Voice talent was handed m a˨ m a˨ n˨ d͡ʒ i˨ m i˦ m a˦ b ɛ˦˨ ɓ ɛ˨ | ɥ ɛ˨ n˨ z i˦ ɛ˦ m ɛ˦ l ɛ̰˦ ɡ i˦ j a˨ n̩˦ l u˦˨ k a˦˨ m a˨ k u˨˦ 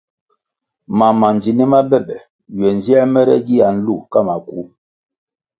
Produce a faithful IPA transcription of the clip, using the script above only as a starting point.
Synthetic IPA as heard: m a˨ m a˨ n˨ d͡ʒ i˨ n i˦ m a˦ b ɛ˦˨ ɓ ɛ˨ | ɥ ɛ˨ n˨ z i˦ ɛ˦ m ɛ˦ ɾ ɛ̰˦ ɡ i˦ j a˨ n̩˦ l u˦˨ k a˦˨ m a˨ k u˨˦